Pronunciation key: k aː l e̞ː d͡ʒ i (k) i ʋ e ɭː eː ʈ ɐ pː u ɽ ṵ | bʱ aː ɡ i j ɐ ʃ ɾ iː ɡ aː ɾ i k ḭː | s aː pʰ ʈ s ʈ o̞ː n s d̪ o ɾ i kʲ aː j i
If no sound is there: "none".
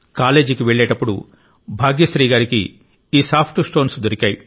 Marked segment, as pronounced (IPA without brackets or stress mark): k